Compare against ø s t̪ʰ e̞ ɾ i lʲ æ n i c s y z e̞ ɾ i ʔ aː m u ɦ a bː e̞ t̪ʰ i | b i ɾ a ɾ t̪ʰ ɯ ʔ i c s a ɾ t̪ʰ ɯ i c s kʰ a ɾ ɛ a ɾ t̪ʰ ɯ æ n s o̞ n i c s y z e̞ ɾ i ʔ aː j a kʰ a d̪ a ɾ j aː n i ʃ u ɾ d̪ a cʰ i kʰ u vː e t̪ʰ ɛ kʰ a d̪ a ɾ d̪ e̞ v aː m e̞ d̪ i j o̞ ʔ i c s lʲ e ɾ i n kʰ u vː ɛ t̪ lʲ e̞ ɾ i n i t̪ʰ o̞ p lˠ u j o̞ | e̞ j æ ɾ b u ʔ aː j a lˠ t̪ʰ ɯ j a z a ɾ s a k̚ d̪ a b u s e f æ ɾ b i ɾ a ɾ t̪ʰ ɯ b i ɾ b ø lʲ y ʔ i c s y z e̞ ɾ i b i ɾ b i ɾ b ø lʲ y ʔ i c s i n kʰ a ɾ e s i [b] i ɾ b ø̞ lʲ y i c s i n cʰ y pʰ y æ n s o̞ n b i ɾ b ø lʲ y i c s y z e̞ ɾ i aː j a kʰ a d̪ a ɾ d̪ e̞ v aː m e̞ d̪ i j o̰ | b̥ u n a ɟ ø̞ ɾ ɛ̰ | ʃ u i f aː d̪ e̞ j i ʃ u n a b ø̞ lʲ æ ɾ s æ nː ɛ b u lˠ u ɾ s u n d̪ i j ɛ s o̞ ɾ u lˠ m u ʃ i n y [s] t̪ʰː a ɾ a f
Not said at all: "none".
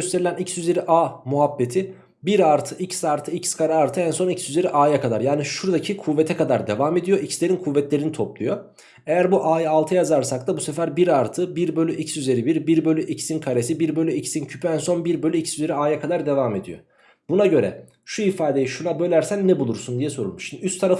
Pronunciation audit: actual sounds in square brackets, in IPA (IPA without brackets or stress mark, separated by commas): b, s